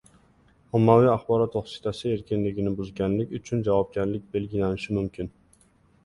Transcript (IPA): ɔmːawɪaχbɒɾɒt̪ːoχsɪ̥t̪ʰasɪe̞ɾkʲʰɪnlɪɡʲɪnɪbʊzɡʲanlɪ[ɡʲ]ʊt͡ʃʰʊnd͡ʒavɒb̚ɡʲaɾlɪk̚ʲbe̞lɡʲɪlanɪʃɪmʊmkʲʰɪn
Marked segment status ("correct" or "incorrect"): incorrect